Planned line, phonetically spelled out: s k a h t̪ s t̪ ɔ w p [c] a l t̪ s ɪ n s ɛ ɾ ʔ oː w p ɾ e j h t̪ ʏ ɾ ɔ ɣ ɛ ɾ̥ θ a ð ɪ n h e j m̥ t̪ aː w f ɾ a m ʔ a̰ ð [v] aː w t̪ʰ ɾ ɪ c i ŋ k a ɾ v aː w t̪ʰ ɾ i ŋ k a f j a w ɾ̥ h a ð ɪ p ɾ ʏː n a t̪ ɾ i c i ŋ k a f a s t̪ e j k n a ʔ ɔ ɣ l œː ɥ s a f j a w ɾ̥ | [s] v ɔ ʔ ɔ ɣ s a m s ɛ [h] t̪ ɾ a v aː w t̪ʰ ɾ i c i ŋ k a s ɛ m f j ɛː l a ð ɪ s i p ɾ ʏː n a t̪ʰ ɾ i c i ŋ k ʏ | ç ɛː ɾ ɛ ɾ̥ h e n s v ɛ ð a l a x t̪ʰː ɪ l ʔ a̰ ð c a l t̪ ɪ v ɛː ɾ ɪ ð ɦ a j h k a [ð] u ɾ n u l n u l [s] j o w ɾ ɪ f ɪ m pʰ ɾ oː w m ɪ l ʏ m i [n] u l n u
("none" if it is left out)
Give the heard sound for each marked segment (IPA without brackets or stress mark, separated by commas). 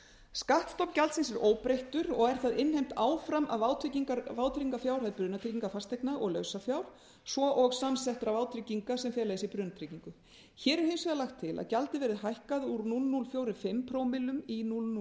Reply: c, v, s, h, ð, f, n